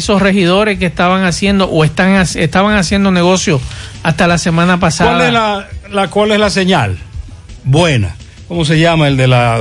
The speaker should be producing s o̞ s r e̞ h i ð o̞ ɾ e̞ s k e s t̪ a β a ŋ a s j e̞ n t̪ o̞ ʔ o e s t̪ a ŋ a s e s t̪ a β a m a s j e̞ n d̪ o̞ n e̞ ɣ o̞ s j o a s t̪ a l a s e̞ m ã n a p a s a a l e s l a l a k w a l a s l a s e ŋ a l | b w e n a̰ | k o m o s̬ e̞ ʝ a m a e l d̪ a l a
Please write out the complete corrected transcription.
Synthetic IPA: s o̞ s r e̞ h i ð o̞ ɾ e̞ s k e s t̪ a β a ŋ a s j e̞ n d̪ o̞ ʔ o e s t̪ a ŋ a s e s t̪ a β a ŋ a s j e̞ n d̪ o̞ n e̞ ɣ o̞ s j o a s t̪ a l a s e̞ m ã n a p a s a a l e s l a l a k w a l e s l a s e ɲ a l | b w e n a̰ | k o m o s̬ e̞ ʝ a m a e l d̪ e l a